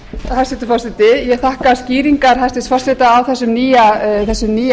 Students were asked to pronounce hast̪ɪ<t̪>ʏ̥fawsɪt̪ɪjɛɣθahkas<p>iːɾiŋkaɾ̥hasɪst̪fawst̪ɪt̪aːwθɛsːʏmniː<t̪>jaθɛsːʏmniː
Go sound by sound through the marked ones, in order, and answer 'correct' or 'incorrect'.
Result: correct, incorrect, incorrect

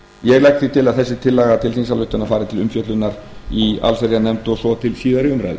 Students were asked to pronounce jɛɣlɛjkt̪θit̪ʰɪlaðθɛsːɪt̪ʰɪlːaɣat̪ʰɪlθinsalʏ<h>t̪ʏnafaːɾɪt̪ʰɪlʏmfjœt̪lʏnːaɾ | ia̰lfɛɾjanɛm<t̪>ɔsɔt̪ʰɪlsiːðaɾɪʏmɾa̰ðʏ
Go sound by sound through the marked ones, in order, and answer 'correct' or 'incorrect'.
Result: correct, correct

